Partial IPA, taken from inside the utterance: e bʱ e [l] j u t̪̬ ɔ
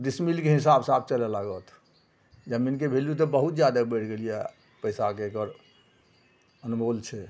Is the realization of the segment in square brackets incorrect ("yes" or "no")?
no